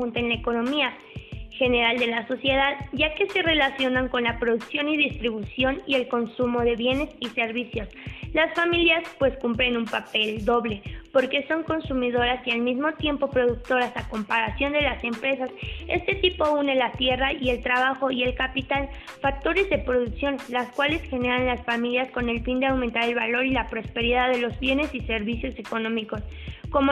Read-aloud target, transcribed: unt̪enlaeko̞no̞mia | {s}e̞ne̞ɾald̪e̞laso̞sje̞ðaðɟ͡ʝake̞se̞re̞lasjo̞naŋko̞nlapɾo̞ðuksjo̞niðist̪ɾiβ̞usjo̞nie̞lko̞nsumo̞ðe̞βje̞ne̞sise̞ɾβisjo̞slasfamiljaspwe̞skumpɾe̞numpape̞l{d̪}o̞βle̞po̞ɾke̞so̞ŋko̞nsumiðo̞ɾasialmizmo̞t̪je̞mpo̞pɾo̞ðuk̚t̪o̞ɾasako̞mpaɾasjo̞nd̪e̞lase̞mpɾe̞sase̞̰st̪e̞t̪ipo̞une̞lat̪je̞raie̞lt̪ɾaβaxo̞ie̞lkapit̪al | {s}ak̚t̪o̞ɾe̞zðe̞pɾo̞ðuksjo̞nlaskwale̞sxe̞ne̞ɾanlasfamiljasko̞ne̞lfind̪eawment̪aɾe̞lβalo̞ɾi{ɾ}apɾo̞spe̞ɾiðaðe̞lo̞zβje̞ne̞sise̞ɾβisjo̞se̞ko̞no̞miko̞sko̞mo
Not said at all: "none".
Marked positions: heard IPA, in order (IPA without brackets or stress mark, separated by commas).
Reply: x, d̪, f, l